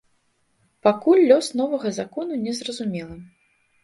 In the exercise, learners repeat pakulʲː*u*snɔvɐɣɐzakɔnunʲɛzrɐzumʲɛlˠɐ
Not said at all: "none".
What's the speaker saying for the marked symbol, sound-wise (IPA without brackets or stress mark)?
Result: ɔ